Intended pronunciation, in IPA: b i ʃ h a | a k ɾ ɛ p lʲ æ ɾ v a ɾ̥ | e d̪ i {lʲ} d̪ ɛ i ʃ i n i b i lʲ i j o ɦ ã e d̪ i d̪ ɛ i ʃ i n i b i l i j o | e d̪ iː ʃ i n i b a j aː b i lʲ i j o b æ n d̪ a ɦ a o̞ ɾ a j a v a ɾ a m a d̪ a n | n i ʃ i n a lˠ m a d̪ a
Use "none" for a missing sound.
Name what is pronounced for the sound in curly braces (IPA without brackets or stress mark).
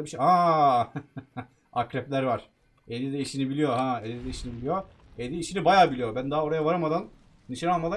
none